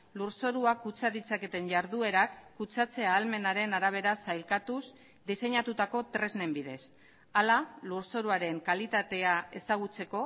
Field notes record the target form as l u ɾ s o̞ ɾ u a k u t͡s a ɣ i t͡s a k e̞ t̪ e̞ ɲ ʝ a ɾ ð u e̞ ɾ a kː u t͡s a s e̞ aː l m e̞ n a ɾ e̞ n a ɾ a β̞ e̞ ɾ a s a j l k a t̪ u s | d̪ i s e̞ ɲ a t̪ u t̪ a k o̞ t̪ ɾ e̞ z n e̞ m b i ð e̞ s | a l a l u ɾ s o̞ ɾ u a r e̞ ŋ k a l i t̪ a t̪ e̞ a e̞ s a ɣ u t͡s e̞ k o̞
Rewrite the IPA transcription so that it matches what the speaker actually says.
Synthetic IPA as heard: l u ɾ s o̞ ɾ u a k u t͡s a ð i t͡s a k e̞ t̪ e̞ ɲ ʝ a ɾ ð u e̞ ɾ a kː u t͡s a t͡s e̞ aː l m e̞ n a ɾ e̞ n a ɾ a β̞ e̞ ɾ a s a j l k a t̪ u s | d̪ i s e̞ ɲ a t̪ u t̪ a k o̞ t̪ ɾ e̞ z n e̞ m b i ð e̞ s | a l a l u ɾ s o̞ ɾ u a ɾ e̞ ŋ k a l i t̪ a t̪ e̞ a e̞ s a ɣ u t͡s e̞ k o̞

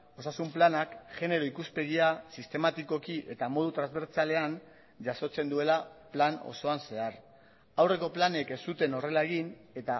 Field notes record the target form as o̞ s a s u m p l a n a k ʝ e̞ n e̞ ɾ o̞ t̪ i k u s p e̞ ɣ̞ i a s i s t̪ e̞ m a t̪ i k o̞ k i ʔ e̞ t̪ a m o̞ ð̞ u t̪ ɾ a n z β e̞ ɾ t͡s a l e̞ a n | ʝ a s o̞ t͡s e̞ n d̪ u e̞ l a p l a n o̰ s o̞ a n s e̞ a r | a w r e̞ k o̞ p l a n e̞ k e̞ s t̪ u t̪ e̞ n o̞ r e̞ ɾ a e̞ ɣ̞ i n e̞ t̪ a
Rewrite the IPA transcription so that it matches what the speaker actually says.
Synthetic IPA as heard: o̞ s a s u m p l a n a k ʝ e̞ n e̞ ɾ o̞ i k u s p e̞ ɣ̞ i a s i s t̪ e̞ m a t̪ i k o̞ k i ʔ e̞ t̪ a m o̞ ð̞ u t̪ ɾ a n z β e̞ ɾ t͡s a l e̞ a n | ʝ a s o̞ t͡s e̞ n d̪ u e̞ l a p l a n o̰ s o̞ a n s e̞ a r | a w r e̞ k o̞ p l a n e̞ k e̞ s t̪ u t̪ e̞ n o̞ r e̞ l a e̞ ɣ̞ i n e̞ t̪ a

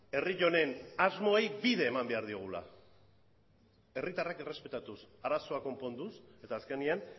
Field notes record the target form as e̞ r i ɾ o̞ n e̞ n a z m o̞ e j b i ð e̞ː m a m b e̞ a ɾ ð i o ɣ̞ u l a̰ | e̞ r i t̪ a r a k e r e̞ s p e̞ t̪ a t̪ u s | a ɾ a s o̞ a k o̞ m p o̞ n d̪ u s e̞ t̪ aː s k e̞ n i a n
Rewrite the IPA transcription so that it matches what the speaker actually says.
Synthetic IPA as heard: e̞ r i ʎ o̞ n e̞ n a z m o̞ e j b i ð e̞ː m a m b e̞ a ɾ ð i o ɣ̞ u l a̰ | e̞ r i t̪ a r a k e r e̞ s p e̞ t̪ a t̪ u s | a ɾ a s o̞ a k o̞ m p o̞ n d̪ u s e̞ t̪ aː s k e̞ n i a n

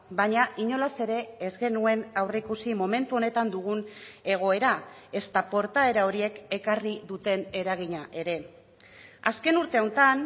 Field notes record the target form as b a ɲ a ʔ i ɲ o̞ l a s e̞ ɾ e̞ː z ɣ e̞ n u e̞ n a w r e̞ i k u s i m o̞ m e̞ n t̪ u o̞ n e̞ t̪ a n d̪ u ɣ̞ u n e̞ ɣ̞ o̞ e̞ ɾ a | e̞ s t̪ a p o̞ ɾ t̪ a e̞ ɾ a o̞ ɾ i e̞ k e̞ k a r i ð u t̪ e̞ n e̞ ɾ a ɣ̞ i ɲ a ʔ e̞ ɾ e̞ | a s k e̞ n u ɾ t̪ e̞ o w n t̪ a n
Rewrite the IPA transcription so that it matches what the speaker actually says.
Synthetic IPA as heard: b a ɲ a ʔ i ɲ o̞ l a s e̞ ɾ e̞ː z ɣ e̞ n u e̞ n a w r e̞ i k u s i m o̞ m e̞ n t̪ u o̞ n e̞ t̪ a n d̪ u ɣ̞ u n e̞ ɣ̞ o̞ e̞ ɾ a | e̞ s t̪ a p o̞ ɾ t̪ a e̞ ɾ a o̞ ɾ i e̞ k e̞ k a r i ð u t̪ e̞ n e̞ ɾ a ɣ̞ i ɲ a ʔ e̞ ɾ e̞ | a s k e̞ n u ɾ t̪ e̞ o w n t̪ a n

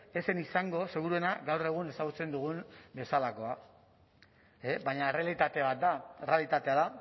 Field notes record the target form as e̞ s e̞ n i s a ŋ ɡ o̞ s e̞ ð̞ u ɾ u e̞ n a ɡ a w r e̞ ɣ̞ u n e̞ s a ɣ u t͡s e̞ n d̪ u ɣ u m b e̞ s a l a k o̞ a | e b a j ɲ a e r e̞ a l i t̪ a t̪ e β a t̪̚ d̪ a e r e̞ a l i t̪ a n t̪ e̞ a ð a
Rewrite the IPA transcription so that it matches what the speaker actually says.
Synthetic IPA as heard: e̞ s e̞ n i s a ŋ ɡ o̞ s e̞ ɣ̞ u ɾ u e̞ n a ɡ a w r e̞ ɣ̞ u n e̞ s a ɣ u t͡s e̞ n d̪ u ɣ u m b e̞ s a l a k o̞ a | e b a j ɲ a e r e̞ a l i t̪ a t̪ e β a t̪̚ d̪ a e r e̞ a l i t̪ a t̪ e̞ a ð a

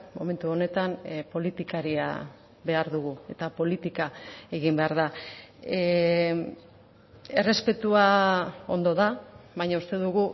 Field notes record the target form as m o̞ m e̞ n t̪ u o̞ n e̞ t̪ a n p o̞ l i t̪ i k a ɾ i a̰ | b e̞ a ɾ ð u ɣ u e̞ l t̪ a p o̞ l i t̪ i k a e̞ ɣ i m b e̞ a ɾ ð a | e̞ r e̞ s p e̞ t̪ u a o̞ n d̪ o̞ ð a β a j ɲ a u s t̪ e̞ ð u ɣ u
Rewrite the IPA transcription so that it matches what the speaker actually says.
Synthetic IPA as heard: m o̞ m e̞ n t̪ u o̞ n e̞ t̪ a n p o̞ l i t̪ i k a ɾ i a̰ | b e̞ a ɾ ð u ɣ u e̞ t̪ a p o̞ l i t̪ i k a e̞ ɣ i m b e̞ a ɾ ð a | e̞ r e̞ s p e̞ t̪ u a o̞ n d̪ o̞ ð a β a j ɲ a u s t̪ e̞ ð u ɣ u

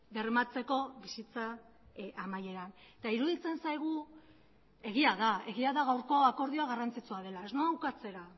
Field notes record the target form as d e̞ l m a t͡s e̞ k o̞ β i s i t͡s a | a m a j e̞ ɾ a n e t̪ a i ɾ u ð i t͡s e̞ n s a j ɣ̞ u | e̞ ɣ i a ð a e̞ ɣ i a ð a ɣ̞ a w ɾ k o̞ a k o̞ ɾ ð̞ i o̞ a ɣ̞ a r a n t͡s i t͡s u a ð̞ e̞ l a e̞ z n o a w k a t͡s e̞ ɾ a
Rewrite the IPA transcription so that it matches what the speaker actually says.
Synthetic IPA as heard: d e̞ r m a t͡s e̞ k o̞ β i s i t͡s a | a m a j e̞ ɾ a n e t̪ a i ɾ u ð i t͡s e̞ n s a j ɣ̞ u | e̞ ɣ i a ð a e̞ ɣ i a ð a ɣ̞ a w ɾ k o̞ a k o̞ ɾ ð̞ i o̞ a ɣ̞ a r a n t͡s i t͡s u a ð̞ e̞ l a e̞ z n o a w k a t͡s e̞ ɾ a

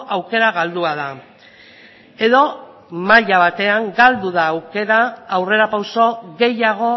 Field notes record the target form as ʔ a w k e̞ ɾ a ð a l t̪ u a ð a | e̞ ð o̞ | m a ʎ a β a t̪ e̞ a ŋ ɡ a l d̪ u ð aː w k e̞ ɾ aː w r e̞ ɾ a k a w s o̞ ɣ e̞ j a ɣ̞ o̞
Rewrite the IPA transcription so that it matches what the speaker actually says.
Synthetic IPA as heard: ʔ a w k e̞ ɾ a ɣ a l d̪ u a ð a | e̞ ð o̞ | m a ʎ a β a t̪ e̞ a ŋ ɡ a l d̪ u ð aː w k e̞ ɾ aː w r e̞ ɾ a p a w s o̞ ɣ e̞ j a ɣ̞ o̞

